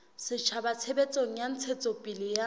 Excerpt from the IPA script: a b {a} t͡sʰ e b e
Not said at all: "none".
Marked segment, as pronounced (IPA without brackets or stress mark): a